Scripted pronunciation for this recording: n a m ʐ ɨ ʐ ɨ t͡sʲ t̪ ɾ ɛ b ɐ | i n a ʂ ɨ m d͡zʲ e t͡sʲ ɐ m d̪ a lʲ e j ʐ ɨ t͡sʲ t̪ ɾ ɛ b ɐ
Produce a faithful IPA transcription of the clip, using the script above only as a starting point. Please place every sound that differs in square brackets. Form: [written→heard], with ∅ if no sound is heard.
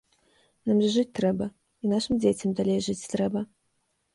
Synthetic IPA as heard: n a m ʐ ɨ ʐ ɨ t͡sʲ t̪ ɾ ɛ b ɐ | i n a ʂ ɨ m d͡zʲ e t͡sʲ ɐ m d̪ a lʲ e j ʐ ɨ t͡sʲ t̪ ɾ ɛ b ɐ